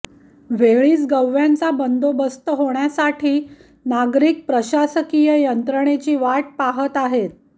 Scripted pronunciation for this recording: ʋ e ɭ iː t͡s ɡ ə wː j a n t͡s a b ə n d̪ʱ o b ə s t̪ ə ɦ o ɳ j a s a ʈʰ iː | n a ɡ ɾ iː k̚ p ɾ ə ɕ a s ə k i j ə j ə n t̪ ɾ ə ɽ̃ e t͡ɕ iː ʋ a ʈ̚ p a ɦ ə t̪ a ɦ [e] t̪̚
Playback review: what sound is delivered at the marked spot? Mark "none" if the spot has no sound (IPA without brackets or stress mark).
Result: e